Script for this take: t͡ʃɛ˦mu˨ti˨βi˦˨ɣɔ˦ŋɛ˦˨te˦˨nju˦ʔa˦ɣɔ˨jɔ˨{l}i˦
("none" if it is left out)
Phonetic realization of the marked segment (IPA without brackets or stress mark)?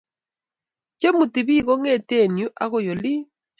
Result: l